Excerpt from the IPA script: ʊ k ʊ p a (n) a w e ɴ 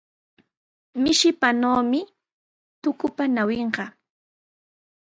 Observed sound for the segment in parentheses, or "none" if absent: n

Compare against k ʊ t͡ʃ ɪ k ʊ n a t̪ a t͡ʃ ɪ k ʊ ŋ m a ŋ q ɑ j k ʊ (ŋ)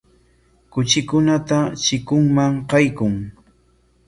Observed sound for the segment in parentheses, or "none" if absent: ŋ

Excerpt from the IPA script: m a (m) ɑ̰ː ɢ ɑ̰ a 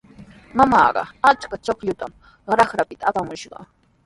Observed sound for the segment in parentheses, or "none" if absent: m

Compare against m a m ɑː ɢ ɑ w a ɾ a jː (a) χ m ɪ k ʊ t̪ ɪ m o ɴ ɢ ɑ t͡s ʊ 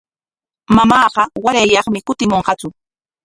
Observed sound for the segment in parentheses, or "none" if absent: ɑ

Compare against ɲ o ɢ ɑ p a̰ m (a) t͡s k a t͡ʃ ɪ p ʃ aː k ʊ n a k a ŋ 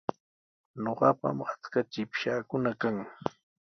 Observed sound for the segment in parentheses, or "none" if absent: a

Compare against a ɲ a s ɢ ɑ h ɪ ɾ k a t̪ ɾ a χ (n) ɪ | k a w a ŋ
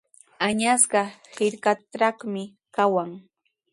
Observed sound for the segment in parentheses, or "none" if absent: m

